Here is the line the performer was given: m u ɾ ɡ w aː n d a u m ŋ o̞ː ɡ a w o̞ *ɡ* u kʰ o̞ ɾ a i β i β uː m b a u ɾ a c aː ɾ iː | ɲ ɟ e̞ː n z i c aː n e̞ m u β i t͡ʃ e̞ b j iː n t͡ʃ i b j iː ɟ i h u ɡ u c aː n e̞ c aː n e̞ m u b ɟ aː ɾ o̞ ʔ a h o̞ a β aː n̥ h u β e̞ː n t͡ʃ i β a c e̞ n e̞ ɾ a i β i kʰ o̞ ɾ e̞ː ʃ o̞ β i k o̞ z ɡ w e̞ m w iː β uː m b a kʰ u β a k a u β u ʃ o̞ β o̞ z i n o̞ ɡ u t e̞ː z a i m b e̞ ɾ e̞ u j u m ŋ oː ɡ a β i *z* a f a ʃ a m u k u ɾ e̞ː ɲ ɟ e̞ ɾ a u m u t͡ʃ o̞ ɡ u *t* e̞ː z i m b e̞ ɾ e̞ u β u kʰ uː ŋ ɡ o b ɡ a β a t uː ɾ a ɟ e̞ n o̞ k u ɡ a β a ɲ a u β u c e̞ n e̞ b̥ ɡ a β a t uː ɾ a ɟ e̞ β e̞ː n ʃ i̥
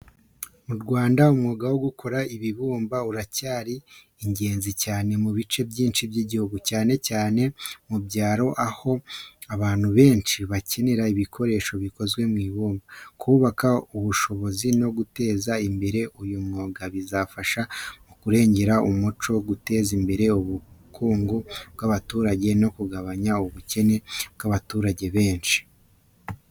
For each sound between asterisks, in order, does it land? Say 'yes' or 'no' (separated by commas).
yes, yes, yes